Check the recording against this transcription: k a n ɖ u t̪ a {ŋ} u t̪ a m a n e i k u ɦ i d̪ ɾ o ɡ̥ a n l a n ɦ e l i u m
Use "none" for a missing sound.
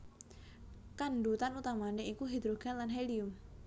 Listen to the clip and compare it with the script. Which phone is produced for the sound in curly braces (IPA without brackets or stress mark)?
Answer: n